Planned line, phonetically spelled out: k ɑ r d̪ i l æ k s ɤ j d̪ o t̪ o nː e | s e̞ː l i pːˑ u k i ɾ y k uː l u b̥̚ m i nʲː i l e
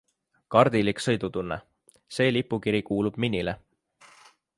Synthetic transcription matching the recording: k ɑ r d̪ i l i k s ɤ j d̪ u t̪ u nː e | s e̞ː l i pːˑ u k i ɾ i k uː l u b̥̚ m i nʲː i l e